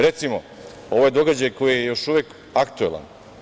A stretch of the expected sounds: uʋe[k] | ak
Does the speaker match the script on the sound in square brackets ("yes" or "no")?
yes